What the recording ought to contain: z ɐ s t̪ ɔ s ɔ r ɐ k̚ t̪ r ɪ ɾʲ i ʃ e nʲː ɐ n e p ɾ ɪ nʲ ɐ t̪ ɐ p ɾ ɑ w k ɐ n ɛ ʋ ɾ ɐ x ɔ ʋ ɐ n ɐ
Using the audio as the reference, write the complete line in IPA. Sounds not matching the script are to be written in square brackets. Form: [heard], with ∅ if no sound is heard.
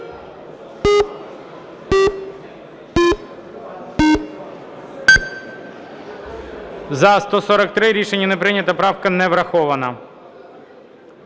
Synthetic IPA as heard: z ɐ s t̪ ɔ s ɔ [ɾ] ɐ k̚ t̪ [ɾ] ɪ ɾʲ i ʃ e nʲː ɐ n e p ɾ ɪ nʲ ɐ t̪ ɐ p ɾ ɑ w k ɐ n ɛ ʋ ɾ ɐ x ɔ ʋ ɐ n ɐ